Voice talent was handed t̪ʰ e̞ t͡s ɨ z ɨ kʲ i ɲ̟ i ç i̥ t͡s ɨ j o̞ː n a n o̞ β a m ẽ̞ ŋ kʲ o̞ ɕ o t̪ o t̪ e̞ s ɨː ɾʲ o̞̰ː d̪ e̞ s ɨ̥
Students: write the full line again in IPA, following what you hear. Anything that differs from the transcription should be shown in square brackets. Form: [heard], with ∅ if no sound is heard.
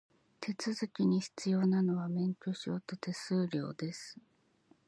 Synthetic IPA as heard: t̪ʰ e̞ t͡s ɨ z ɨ kʲ i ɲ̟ i ç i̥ t͡s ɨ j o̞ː n a n o̞ β a m ẽ̞ ŋ kʲ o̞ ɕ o t̪ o t̪ e̞ s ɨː ɾʲ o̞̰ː d̪ e̞ s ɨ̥